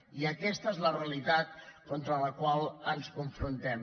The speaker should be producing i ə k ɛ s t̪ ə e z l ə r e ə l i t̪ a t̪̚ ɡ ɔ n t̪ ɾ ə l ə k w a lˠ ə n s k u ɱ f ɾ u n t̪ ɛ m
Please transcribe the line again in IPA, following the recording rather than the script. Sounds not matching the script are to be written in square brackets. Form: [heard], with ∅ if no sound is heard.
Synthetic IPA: i ə k ɛ s t̪ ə e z l ə r e ə l i t̪ a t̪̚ [k] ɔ n t̪ ɾ ə l ə k w a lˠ ə n s k u ɱ f ɾ u n t̪ ɛ m